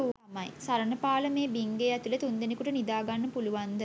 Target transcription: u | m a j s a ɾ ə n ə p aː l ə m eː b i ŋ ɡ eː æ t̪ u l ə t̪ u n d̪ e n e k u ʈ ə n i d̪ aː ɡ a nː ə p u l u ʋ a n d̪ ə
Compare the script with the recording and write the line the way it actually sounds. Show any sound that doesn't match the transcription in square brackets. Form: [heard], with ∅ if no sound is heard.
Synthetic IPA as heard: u | m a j s a ɾ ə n ə p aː l ə m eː b i ŋ ɡ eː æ t̪ u l ə t̪ u n d̪ e n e k u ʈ ə n i d̪ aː ɡ a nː ə p u l u ʋ a n d̪ ə